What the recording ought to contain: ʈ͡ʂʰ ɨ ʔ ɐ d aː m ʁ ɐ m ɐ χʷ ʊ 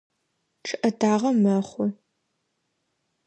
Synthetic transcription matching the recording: ʈ͡ʂʰ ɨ ʔ ɐ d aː ʁ ɐ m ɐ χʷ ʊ